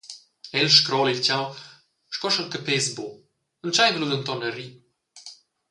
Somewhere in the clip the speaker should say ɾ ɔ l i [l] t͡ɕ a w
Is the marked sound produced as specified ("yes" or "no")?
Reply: yes